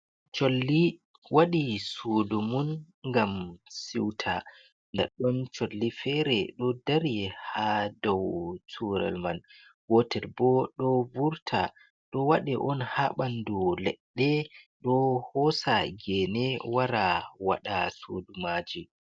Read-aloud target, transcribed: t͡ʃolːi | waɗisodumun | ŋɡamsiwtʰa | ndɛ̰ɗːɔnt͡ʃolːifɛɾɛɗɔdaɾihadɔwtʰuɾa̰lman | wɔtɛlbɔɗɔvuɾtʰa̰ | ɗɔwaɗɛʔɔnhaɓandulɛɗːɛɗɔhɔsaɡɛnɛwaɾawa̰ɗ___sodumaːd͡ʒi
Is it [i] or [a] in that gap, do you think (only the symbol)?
a